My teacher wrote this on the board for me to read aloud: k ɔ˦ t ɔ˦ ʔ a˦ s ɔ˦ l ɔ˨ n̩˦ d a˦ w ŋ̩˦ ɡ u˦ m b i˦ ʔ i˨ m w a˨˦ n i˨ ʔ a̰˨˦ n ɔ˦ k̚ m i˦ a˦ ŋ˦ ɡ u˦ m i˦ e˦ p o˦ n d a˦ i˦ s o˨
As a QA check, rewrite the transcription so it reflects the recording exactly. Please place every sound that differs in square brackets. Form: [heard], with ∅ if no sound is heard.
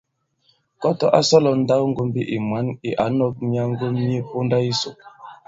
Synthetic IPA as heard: k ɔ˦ t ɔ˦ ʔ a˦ s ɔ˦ l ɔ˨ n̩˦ d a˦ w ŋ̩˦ ɡ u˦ m b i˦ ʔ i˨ m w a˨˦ n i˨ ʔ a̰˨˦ n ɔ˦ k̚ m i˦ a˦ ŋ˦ ɡ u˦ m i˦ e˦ p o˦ n d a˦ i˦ s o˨